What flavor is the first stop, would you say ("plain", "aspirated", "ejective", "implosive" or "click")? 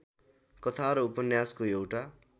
plain